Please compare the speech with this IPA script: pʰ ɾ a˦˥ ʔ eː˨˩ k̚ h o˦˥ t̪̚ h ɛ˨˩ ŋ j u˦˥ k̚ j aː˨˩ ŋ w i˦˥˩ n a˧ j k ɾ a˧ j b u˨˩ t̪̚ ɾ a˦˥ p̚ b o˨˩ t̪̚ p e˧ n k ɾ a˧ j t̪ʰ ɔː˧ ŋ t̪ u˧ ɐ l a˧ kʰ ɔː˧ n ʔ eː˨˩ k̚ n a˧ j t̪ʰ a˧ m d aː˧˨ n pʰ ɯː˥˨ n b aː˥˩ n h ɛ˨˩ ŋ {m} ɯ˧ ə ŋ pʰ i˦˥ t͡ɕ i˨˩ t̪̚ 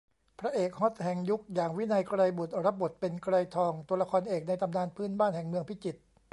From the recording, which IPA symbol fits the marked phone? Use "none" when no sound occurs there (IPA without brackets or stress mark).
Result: m